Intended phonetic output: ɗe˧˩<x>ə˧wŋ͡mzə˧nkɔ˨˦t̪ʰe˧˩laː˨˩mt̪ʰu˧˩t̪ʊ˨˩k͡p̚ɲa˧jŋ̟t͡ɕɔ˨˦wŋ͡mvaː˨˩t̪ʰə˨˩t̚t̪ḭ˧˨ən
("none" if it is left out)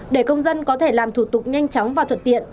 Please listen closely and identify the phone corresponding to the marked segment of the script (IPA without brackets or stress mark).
k